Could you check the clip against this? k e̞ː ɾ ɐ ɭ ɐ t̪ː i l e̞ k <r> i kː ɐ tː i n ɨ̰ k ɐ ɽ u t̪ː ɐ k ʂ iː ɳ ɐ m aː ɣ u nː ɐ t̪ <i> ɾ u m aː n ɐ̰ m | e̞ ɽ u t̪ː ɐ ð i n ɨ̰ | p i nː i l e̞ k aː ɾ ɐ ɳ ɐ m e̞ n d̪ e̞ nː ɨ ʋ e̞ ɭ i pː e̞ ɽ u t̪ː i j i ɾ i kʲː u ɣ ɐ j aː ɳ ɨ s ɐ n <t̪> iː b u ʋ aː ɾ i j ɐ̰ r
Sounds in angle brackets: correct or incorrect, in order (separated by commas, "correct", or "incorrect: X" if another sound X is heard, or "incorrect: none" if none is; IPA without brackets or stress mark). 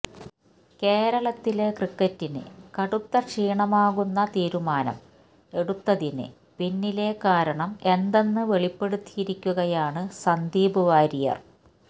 correct, incorrect: iː, incorrect: d̪